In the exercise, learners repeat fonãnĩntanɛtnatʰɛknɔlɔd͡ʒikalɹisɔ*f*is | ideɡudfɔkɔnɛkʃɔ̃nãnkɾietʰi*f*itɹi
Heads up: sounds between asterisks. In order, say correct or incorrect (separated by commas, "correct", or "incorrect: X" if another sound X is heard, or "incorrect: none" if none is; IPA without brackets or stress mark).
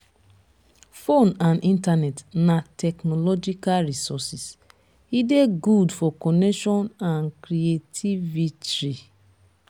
incorrect: s, incorrect: v